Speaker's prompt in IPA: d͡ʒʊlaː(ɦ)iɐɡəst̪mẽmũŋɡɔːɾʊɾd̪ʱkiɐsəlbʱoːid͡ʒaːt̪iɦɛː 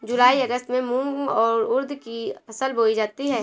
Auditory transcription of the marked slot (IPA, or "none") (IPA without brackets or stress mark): none